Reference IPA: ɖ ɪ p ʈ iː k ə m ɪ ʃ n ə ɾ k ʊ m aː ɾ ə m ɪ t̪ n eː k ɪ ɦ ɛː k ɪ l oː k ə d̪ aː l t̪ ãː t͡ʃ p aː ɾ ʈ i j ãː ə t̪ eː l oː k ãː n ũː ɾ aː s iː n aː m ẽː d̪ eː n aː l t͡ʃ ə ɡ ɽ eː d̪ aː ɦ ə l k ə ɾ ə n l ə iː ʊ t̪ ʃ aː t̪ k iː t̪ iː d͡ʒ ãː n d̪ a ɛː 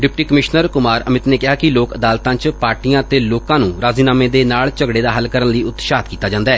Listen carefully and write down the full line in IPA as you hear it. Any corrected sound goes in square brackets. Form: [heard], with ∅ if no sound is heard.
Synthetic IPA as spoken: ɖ ɪ p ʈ iː k ə m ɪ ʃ n ə ɾ k ʊ m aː ɾ ə m ɪ t̪ n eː k ɪ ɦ [aː] k ɪ l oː k ə d̪ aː l t̪ ãː t͡ʃ p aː ɾ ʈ i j ãː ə t̪ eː l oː k ãː n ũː ɾ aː [z] iː n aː m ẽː d̪ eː n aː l t͡ʃ ə ɡ ɽ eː d̪ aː ɦ ə l k ə ɾ ə n l ə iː ʊ t̪ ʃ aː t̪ k iː t̪ [aː] d͡ʒ ãː n d̪ a ɛː